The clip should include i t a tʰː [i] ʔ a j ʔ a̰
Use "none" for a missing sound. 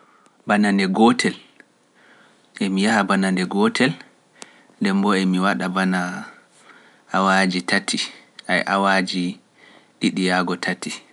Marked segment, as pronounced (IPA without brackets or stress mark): i